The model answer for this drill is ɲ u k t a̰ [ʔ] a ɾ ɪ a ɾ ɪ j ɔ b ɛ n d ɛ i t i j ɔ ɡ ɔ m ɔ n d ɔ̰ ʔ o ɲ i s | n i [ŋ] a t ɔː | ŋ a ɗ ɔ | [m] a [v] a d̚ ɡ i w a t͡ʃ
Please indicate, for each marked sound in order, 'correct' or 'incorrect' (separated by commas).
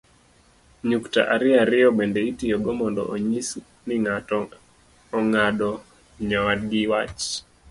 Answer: correct, correct, incorrect, incorrect